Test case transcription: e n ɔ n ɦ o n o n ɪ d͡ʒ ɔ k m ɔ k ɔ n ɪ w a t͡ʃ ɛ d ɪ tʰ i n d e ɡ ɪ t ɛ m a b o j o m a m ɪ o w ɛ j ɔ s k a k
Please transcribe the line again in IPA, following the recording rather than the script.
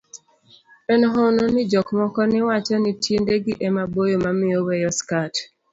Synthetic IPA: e n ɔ ɦ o n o n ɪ d͡ʒ ɔ k m ɔ k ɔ n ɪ w a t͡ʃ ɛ n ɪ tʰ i n d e ɡ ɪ ʔ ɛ m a b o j o m a m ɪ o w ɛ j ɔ s k a t